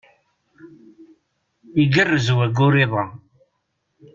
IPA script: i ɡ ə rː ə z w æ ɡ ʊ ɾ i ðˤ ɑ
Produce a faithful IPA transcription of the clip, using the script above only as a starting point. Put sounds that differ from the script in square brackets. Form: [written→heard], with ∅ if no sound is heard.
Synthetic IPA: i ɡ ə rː ə z w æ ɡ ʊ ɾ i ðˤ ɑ